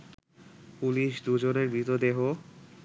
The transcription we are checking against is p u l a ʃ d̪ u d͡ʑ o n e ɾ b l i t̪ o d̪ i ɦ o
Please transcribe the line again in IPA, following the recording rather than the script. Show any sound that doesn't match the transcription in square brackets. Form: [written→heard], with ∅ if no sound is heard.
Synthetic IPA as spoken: p u l [a→i] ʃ d̪ u d͡ʑ o n e ɾ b [l→ɾ] i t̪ o d̪ [i→e] ɦ o